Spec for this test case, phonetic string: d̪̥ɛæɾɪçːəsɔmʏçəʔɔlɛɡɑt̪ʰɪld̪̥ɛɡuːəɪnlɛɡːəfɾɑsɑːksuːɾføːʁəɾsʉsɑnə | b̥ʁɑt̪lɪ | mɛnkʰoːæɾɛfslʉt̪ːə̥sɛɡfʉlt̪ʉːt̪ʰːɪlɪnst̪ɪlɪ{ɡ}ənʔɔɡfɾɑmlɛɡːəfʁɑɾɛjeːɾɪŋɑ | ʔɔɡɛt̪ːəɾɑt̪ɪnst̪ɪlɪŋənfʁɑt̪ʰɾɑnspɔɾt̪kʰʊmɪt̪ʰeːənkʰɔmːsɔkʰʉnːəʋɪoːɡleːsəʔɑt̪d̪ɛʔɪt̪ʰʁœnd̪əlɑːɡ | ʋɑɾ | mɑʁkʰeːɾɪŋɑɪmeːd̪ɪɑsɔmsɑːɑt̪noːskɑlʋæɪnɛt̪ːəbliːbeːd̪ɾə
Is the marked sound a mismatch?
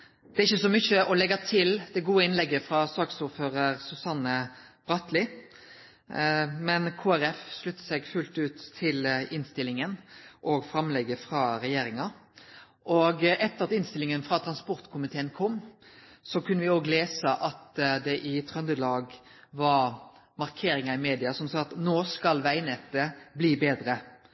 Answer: yes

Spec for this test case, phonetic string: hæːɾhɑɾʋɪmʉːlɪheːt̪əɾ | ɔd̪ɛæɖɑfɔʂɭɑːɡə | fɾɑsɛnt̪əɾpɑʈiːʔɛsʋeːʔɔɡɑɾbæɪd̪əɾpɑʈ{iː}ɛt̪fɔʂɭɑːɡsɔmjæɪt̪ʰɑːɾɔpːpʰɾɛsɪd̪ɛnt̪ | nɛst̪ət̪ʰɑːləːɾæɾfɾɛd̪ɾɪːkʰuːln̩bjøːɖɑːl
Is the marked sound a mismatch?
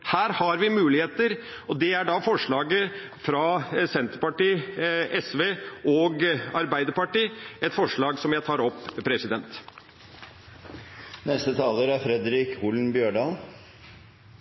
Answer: no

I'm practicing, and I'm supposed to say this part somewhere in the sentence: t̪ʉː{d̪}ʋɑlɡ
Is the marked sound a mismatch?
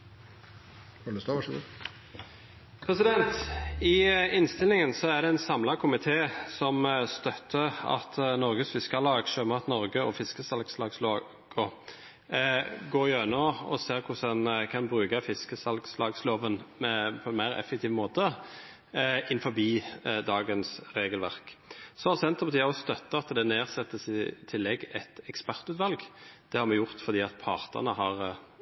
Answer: yes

